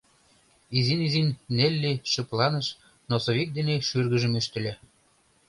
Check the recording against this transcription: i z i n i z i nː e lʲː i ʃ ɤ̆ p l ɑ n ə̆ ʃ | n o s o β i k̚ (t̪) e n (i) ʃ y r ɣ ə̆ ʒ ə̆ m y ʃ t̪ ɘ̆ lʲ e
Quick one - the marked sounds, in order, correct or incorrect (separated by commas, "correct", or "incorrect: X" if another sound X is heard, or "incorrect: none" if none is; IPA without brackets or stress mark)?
incorrect: d̪, incorrect: e